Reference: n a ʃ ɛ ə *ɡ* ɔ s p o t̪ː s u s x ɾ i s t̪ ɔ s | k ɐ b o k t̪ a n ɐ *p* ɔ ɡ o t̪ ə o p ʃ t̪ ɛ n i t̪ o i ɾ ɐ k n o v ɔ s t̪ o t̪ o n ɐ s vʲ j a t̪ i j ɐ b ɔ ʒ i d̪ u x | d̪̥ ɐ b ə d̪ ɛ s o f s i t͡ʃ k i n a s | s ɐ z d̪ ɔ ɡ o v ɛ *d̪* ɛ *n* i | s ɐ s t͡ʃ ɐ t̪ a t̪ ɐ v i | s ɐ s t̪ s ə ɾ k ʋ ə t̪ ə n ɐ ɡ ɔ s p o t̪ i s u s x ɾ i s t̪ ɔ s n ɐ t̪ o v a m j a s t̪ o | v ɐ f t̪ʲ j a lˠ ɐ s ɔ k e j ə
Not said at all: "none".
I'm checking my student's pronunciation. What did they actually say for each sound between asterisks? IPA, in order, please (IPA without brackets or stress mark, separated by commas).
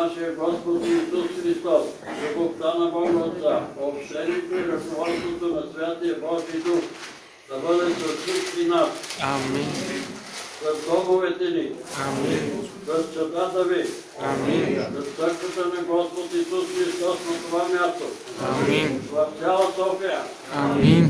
ɡ, b, t̪, n